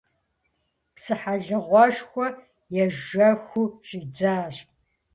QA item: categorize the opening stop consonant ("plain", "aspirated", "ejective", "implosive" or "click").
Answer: plain